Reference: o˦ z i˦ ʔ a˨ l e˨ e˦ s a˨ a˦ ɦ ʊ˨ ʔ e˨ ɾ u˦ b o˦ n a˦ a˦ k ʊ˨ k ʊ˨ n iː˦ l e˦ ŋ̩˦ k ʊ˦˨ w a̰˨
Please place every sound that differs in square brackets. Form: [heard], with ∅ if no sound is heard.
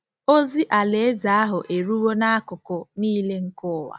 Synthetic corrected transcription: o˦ z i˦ ʔ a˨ l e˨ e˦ [z] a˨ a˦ ɦ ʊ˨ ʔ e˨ ɾ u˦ [w] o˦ n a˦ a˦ k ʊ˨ k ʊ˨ n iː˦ l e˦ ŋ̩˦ k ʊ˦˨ w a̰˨